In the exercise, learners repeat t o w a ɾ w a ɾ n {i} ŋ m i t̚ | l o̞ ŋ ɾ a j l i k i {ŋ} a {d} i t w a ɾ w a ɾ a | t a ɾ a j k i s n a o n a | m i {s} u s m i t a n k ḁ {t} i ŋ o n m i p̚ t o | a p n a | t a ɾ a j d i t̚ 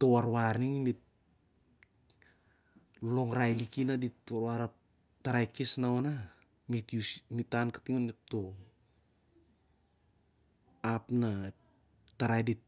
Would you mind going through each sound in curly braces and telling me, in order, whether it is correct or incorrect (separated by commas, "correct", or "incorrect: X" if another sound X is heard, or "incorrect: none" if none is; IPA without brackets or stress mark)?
correct, incorrect: n, correct, incorrect: t, correct